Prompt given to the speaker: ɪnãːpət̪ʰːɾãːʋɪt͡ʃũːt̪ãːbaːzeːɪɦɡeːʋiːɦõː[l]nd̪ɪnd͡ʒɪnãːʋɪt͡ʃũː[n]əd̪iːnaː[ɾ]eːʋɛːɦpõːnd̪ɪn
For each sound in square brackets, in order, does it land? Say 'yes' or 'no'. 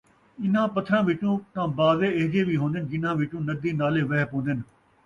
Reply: no, yes, no

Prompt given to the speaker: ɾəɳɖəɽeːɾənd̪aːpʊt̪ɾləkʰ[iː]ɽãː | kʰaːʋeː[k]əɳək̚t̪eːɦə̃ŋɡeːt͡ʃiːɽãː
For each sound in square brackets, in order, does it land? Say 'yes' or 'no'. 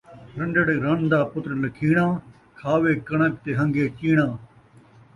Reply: yes, yes

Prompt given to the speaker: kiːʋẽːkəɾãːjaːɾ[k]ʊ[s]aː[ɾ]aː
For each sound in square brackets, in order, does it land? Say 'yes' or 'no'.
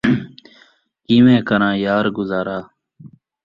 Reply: no, no, yes

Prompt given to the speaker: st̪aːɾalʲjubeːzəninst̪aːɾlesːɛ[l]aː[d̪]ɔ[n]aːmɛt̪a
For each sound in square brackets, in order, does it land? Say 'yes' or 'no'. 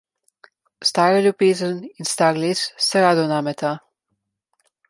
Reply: no, yes, yes

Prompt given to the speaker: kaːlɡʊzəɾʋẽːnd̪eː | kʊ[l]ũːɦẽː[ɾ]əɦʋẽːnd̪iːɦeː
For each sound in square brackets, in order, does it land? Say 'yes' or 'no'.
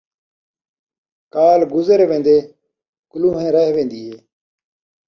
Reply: yes, yes

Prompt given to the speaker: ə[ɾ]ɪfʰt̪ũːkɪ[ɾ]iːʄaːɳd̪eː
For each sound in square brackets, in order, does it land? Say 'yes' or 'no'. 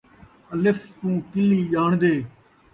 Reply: no, no

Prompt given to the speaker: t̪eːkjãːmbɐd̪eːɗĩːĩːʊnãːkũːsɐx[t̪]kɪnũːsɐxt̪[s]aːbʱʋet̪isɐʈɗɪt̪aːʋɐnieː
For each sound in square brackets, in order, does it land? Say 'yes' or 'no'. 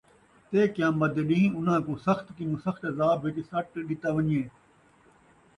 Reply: yes, no

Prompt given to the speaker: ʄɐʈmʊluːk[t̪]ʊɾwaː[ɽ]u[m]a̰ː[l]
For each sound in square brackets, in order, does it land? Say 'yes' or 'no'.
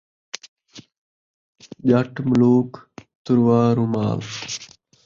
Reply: yes, no, yes, yes

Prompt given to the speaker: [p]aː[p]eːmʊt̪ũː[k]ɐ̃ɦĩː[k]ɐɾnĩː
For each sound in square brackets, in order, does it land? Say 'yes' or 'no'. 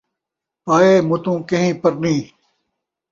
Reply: yes, no, yes, no

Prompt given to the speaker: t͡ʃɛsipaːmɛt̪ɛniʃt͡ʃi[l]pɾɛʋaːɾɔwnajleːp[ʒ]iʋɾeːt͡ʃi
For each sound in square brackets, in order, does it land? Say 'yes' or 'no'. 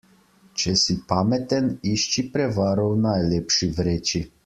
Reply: no, no

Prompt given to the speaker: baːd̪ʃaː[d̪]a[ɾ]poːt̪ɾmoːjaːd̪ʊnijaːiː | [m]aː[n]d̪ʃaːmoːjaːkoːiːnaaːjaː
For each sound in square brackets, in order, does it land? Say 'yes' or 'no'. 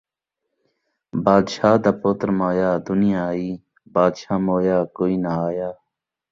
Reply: yes, no, no, no

